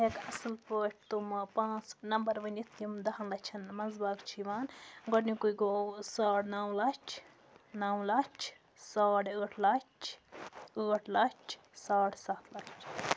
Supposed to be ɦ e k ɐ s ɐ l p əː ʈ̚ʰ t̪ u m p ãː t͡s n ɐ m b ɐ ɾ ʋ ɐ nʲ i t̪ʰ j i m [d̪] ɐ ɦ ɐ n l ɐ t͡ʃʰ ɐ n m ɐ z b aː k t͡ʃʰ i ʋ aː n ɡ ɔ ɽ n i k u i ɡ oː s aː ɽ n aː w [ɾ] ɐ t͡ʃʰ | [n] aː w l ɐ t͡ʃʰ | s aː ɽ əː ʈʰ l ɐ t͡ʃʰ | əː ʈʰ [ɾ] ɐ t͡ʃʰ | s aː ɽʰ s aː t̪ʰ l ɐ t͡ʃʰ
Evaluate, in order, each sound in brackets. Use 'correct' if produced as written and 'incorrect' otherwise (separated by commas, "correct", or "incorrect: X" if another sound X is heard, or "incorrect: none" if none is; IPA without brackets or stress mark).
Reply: correct, incorrect: l, correct, incorrect: l